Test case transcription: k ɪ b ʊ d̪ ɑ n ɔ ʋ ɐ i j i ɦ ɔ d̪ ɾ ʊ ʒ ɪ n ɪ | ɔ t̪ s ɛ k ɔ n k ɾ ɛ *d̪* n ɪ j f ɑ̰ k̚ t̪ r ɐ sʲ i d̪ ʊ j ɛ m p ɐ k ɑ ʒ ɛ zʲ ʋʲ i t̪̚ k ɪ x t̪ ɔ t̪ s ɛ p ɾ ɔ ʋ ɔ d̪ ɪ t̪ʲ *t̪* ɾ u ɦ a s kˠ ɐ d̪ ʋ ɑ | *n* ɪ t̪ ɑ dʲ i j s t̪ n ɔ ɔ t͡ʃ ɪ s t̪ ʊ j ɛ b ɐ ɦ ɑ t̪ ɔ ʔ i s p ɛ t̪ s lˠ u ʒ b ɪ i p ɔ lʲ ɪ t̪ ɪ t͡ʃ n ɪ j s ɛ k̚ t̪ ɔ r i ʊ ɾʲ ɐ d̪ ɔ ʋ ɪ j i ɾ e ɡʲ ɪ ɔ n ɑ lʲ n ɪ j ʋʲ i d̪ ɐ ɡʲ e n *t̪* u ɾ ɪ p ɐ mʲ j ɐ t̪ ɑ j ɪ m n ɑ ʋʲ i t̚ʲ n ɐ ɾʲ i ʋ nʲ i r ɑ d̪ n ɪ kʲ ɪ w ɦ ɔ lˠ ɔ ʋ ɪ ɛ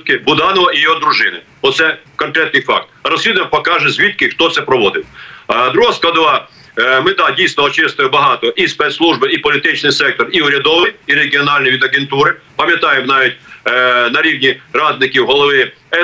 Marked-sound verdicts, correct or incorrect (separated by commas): incorrect, incorrect, incorrect, correct